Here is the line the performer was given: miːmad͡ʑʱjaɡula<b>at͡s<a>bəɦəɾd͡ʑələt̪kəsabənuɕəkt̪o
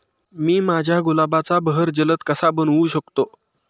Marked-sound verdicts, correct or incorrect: correct, correct

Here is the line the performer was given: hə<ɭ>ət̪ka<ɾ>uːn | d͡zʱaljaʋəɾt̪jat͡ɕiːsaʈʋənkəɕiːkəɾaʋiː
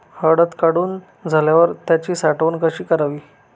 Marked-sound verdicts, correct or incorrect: incorrect: ɽ, incorrect: ɽ

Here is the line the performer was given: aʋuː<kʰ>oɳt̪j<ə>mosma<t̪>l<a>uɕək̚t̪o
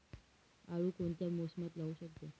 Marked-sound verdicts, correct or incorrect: incorrect: k, incorrect: a, correct, correct

